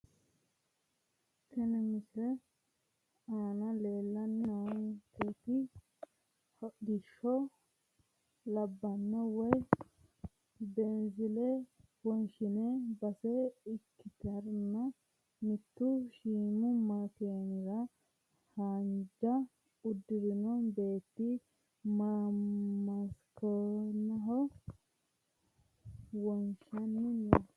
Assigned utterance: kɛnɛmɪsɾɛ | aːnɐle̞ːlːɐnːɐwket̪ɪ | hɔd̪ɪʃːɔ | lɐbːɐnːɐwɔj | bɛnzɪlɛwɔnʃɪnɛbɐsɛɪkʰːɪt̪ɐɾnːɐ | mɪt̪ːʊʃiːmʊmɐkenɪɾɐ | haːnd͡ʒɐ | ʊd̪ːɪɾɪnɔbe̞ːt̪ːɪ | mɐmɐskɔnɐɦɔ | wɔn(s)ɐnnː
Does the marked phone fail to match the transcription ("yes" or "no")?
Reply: yes